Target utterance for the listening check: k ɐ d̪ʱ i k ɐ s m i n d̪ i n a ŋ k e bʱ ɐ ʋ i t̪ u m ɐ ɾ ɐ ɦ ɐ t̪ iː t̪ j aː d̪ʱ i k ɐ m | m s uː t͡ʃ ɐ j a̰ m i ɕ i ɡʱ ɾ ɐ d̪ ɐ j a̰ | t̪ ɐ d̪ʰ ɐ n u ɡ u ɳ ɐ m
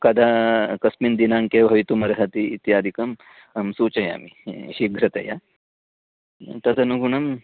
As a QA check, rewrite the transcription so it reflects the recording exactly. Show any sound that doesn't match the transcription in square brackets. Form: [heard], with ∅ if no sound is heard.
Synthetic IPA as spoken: k ɐ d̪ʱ [a] k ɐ s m i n d̪ i n a ŋ k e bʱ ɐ ʋ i t̪ u m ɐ ɾ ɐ ɦ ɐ t̪ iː t̪ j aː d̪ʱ i k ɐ m | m s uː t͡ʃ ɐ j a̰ m i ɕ i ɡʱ ɾ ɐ [t̪] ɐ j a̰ | t̪ ɐ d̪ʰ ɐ n u ɡ u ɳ ɐ m